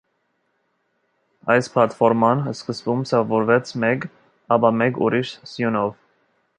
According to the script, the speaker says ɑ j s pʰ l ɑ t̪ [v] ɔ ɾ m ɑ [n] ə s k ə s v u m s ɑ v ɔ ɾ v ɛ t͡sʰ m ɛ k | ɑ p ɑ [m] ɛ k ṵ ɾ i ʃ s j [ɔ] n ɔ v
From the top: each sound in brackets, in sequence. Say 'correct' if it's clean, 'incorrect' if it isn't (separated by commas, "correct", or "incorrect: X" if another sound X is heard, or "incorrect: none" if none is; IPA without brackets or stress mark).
incorrect: f, correct, correct, incorrect: u